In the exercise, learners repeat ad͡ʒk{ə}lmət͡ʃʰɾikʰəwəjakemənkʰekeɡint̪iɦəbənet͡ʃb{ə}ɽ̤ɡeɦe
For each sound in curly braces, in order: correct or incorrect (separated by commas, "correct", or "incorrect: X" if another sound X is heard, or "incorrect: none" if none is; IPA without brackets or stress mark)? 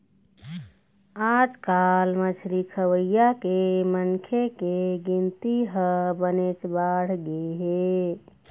incorrect: a, incorrect: a